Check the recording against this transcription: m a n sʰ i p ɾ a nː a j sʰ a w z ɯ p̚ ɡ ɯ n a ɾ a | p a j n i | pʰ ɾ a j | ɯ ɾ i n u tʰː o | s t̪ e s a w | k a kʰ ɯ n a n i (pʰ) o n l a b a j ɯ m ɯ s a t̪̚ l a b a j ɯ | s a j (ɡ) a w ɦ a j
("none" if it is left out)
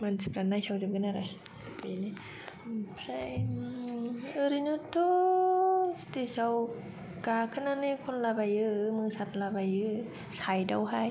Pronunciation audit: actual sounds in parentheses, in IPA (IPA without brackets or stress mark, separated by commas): kʰ, d